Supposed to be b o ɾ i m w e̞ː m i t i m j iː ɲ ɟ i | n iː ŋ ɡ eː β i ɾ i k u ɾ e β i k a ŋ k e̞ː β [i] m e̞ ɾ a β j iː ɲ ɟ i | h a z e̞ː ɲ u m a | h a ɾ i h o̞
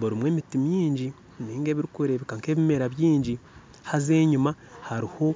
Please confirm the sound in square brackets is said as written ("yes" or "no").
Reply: yes